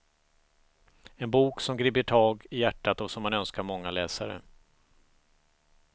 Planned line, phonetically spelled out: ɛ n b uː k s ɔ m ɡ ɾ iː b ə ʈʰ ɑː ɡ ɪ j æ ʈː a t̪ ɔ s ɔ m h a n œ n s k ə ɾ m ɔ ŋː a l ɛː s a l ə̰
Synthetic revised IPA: ɛ n b uː k s ɔ m ɡ ɾ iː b ə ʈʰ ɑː ɡ ɪ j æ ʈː a t̪ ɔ s ɔ m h a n œ n s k a ɾ m ɔ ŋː a l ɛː s a ɾ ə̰